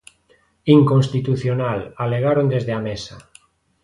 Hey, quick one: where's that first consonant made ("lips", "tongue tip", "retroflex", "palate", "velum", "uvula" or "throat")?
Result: velum